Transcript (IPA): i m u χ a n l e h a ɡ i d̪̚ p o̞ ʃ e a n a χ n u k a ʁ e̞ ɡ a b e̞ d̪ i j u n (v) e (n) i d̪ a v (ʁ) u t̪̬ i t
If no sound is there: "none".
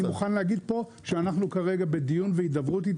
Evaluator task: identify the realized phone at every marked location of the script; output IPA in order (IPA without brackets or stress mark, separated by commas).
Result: v, none, ʁ